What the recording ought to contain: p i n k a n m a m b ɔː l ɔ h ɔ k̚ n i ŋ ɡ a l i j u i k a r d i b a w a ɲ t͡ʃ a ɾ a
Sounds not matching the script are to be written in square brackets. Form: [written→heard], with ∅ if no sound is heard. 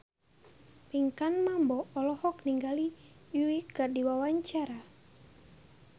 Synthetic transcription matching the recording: p i [n→ŋ] k a n m a m b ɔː l ɔ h ɔ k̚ n i ŋ ɡ a l i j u i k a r d i [b→w] a w a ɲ t͡ʃ a ɾ a

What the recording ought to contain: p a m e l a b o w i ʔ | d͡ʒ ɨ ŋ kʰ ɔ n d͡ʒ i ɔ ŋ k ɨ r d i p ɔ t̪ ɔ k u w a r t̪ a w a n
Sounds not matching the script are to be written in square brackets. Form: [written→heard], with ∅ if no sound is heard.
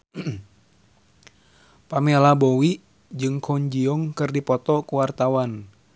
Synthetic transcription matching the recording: p a m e l a b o w i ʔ | d͡ʒ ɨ ŋ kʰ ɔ [n→ɲ] d͡ʒ i ɔ ŋ k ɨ r d i p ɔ t̪ ɔ k u w a r t̪ a w a n

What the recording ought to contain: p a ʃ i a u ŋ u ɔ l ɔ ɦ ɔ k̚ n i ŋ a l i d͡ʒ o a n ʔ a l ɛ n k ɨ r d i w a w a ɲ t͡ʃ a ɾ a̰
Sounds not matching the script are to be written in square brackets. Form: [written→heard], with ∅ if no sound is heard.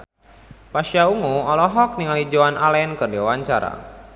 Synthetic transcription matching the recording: p a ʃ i a u ŋ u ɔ l ɔ ɦ ɔ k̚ n i ŋ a l i d͡ʒ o a n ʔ a l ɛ n k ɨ r d i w a w a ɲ t͡ʃ a ɾ a̰

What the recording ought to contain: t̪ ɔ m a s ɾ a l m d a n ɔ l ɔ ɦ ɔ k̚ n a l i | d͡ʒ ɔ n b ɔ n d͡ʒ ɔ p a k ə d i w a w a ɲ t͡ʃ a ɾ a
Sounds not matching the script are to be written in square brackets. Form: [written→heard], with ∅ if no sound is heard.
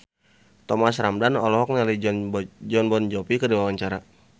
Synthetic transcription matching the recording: t̪ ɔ m a s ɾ a [l→∅] m d a n ɔ l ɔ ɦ ɔ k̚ n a l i | d͡ʒ ɔ n b ɔ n d͡ʒ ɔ p [a→i] k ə d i w a w a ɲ t͡ʃ a ɾ a

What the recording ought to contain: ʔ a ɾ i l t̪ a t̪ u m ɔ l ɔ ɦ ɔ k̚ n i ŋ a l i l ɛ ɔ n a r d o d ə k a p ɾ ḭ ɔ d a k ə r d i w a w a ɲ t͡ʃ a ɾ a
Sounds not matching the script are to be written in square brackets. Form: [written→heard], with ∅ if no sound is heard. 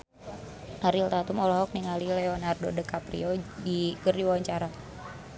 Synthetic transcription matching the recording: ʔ a ɾ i l t̪ a t̪ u m ɔ l ɔ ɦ ɔ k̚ n i ŋ a l i l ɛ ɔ n a r d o d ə k a p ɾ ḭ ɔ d [a→i] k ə r d i w a w a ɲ t͡ʃ a ɾ a

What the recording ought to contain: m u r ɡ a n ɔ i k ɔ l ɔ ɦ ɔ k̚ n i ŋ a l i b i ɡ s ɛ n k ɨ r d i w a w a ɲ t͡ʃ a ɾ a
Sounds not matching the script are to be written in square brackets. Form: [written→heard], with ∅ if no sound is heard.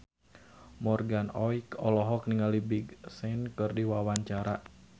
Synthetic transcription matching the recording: m [u→ɔ] r ɡ a n ɔ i k ɔ l ɔ ɦ ɔ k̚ n i ŋ a l i b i ɡ s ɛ n k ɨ r d i w a w a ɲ t͡ʃ a ɾ a

